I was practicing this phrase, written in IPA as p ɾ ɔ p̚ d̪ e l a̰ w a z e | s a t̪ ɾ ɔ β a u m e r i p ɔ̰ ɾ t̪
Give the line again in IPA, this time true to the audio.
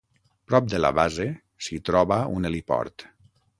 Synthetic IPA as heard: p ɾ ɔ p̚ d̪ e l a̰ β a z e | s i t̪ ɾ ɔ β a u n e l i p ɔ̰ ɾ t̪